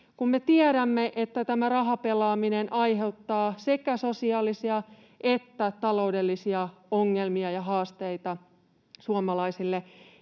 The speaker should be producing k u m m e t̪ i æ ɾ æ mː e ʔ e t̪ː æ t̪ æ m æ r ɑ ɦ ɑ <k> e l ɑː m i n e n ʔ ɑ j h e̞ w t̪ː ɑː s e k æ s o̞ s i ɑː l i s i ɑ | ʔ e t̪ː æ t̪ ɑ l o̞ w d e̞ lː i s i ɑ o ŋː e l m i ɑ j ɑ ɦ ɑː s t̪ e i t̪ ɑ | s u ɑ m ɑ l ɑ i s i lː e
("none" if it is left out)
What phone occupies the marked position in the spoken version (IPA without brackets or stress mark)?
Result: p